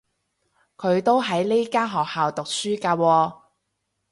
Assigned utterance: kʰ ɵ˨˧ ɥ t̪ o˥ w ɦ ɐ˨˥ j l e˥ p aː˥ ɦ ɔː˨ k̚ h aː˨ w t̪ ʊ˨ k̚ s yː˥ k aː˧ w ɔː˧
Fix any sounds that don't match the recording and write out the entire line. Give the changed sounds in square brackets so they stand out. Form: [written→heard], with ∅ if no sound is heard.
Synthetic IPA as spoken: kʰ ɵ˨˧ ɥ t̪ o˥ w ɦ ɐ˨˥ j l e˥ [p→k] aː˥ ɦ ɔː˨ k̚ h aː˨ w t̪ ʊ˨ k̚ s yː˥ k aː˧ w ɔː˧